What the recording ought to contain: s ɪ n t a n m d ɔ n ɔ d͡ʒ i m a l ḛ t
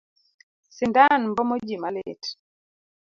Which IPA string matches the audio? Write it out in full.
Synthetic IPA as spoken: s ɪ n d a n m b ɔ m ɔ d͡ʒ i m a l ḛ t